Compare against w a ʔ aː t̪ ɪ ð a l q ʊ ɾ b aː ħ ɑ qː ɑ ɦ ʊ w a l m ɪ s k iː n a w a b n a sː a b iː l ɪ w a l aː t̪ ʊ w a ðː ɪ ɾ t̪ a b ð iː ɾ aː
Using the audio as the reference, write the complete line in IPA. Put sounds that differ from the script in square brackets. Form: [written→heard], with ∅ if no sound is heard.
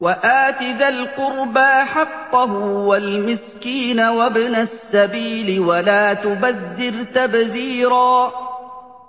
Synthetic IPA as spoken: w a ʔ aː t̪ ɪ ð a l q ʊ ɾ b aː ħ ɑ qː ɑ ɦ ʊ w a l m ɪ s k iː n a w a b n a sː a b iː l ɪ w a l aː t̪ ʊ [w→b] a ðː ɪ ɾ t̪ a b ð iː ɾ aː